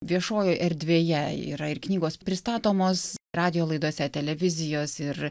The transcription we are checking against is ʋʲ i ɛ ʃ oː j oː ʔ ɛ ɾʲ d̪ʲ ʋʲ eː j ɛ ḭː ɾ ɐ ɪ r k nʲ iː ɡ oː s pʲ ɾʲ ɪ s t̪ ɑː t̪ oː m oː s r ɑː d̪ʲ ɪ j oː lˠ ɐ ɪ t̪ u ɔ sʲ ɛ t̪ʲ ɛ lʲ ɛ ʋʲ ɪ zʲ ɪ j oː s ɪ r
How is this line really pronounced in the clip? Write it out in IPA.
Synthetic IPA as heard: ʋʲ i ɛ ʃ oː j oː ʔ ɛ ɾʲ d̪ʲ ʋʲ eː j ɛ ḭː ɾ ɐ ɪ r k nʲ iː ɡ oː s pʲ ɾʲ ɪ s t̪ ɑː t̪ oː m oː s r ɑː d̪ʲ ɪ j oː lˠ ɐ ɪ d̪ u ɔ sʲ ɛ t̪ʲ ɛ lʲ ɛ ʋʲ ɪ zʲ ɪ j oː s ɪ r